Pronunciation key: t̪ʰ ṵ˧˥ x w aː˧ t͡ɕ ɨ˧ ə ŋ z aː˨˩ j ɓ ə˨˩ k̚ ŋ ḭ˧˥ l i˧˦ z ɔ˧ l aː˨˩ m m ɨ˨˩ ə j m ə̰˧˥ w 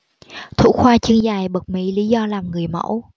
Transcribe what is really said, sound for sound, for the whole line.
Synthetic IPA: t̪ʰ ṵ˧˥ x w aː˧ t͡ɕ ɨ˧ ə ŋ z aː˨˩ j ɓ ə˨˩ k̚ m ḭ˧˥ l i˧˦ z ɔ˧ l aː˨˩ m ŋ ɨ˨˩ ə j m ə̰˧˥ w